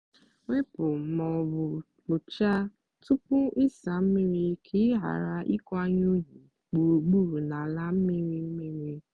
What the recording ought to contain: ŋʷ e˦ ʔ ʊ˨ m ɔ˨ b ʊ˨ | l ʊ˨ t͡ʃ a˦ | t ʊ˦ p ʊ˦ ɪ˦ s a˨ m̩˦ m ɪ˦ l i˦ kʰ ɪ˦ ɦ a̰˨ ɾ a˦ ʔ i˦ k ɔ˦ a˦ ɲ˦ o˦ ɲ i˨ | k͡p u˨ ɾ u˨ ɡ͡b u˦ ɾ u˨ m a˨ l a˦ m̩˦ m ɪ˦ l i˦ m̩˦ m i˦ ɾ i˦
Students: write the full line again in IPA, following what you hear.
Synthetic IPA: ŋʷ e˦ p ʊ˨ m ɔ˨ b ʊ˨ | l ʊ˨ t͡ʃ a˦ | t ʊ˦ p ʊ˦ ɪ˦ s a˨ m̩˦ m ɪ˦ ɾ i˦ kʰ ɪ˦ ɦ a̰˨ ɾ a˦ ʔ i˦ k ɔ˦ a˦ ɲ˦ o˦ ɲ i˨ | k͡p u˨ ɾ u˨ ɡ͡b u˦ ɾ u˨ n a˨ l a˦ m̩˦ m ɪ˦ ɾ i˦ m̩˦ m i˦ ɾ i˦